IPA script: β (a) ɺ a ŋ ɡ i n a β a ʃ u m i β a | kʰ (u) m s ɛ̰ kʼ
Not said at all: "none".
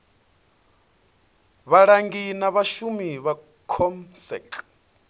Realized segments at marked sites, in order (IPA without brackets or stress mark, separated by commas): a, ɔ